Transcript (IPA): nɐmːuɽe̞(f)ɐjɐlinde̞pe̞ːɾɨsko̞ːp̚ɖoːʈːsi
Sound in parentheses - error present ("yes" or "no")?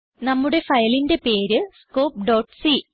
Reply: no